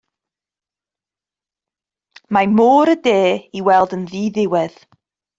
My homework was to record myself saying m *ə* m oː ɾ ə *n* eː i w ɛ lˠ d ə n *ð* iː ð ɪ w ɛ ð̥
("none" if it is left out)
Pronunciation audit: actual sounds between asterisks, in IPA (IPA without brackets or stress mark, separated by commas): a, d, ð